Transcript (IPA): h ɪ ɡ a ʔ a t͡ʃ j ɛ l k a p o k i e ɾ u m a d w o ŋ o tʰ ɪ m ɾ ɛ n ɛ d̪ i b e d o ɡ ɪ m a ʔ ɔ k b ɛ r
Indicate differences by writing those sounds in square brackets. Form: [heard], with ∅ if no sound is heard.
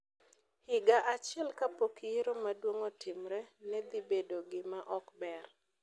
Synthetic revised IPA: h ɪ ɡ a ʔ a t͡ʃ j ɛ l k a p o k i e ɾ [o] m a d w o ŋ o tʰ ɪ m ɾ ɛ n ɛ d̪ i b e d o ɡ ɪ m a ʔ ɔ k b ɛ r